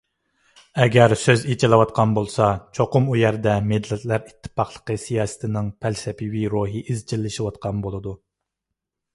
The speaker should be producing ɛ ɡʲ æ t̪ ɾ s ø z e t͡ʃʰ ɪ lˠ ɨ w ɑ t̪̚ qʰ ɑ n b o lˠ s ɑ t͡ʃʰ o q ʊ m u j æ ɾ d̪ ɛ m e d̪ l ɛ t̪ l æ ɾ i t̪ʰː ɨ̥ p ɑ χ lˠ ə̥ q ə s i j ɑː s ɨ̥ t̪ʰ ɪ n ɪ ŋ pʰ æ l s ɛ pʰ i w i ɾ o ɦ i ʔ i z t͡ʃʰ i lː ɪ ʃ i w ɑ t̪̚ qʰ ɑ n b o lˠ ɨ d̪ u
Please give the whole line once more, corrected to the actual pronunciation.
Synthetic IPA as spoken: ɛ ɡʲ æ ɾ s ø z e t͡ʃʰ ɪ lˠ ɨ w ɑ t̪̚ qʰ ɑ n b o lˠ s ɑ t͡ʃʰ o q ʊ m u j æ ɾ d̪ ɛ m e d̪ l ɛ t̪ l æ ɾ i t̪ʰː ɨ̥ p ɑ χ lˠ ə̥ q ə s i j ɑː s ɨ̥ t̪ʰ ɪ n ɪ ŋ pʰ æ l s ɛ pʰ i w i ɾ o ɦ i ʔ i z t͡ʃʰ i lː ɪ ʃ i w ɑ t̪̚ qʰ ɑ n b o lˠ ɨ d̪ u